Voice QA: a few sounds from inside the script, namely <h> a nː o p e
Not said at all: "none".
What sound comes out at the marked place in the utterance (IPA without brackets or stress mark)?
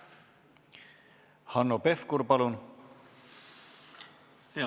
h